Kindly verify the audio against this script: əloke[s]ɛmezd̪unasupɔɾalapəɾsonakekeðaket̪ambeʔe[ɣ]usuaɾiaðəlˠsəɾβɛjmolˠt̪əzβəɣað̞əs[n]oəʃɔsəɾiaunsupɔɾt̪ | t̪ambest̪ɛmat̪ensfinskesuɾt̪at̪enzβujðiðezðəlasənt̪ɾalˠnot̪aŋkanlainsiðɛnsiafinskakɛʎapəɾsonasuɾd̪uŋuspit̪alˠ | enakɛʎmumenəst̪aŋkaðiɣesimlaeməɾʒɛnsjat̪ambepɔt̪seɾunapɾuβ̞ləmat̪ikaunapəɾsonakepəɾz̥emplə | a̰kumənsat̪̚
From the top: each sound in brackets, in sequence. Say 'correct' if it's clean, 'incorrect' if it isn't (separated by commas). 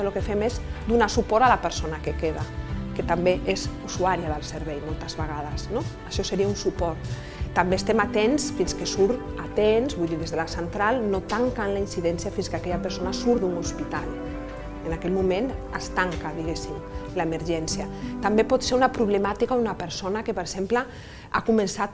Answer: incorrect, incorrect, correct